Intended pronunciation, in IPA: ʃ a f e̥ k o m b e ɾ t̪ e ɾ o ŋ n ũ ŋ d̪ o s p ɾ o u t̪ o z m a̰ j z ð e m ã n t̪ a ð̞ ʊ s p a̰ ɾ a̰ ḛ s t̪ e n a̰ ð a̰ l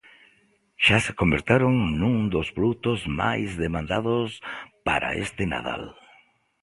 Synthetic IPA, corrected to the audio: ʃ a s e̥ k o m b e ɾ t̪ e ɾ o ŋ n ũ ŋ d̪ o s p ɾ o u t̪ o z m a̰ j z ð e m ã n d̪ a ð̞ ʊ s p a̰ ɾ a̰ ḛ s t̪ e n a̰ ð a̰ l